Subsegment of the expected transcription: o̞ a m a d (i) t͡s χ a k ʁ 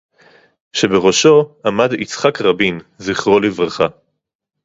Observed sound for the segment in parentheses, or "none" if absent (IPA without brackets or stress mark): i